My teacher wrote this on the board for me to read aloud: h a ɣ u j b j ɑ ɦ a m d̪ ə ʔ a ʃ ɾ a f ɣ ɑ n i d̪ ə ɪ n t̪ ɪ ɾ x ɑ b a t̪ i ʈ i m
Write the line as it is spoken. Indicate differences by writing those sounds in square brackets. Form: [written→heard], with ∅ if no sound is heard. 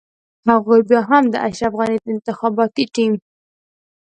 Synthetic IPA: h a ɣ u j b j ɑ ɦ a m d̪ ə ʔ a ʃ ɾ a f ɣ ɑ n i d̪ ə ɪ n t̪ ɪ [ɾ→∅] x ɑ b [a→ɑ] t̪ i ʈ i m